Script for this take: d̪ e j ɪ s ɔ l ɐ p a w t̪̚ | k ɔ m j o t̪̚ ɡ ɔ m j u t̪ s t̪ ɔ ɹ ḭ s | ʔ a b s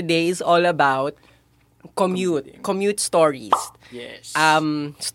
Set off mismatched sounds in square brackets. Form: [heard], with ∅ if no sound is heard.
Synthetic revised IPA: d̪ e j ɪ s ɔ l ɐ [b] a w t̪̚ | k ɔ m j [u] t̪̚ [k] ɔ m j u t̪ s t̪ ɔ ɹ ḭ s | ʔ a [m] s